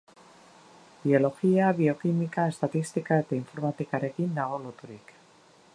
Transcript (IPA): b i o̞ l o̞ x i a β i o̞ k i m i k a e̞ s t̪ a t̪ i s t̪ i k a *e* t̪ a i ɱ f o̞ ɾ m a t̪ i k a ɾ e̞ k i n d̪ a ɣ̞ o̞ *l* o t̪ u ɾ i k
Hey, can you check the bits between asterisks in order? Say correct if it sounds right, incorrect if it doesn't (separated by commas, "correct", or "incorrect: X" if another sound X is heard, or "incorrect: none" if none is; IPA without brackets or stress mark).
correct, correct